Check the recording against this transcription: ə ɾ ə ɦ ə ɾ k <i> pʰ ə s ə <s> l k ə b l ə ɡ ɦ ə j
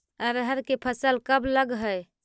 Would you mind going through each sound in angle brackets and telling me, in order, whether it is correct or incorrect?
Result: incorrect: e, incorrect: none

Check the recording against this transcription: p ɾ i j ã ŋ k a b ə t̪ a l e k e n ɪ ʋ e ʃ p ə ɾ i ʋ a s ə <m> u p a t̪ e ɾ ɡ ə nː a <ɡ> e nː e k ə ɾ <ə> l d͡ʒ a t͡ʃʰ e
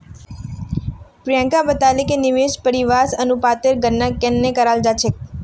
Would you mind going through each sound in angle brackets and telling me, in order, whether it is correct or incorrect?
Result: incorrect: n, incorrect: k, incorrect: a

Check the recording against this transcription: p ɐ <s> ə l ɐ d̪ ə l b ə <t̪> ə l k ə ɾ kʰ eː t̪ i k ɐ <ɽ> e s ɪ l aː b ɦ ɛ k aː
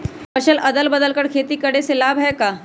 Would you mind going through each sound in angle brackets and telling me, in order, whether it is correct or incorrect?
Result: incorrect: ʃ, incorrect: d̪, correct

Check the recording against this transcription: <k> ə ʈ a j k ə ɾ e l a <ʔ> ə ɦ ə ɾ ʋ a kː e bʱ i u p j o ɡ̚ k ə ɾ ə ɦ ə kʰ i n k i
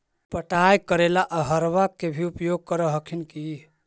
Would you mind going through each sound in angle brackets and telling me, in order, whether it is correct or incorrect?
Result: incorrect: p, correct

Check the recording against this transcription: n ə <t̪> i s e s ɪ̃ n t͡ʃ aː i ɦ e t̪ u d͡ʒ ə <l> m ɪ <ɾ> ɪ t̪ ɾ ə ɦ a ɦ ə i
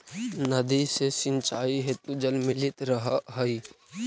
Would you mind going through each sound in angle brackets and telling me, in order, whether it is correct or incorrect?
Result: incorrect: d̪, correct, incorrect: l

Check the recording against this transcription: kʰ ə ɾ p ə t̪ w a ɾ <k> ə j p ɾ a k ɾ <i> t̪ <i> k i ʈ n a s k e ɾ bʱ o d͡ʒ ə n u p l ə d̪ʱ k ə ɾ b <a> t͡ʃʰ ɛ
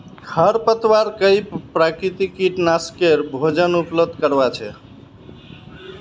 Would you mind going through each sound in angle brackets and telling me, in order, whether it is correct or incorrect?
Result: correct, correct, correct, correct

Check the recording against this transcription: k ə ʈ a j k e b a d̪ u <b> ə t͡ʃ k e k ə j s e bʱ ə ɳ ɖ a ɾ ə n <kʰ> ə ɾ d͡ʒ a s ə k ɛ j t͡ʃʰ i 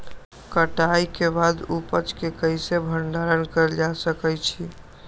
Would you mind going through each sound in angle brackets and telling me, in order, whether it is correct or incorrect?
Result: incorrect: p, incorrect: k

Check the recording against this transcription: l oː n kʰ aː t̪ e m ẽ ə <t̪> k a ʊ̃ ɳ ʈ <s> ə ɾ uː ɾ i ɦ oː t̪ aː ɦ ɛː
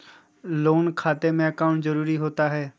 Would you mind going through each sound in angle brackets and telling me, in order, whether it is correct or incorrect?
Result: incorrect: none, incorrect: z

